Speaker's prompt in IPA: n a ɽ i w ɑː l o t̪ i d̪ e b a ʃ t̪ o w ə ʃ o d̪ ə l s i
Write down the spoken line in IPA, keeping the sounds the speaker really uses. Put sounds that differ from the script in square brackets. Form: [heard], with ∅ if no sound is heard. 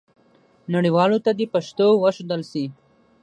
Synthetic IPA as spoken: n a ɽ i w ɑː l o t̪ [a] d̪ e [p] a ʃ t̪ o w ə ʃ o d̪ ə l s i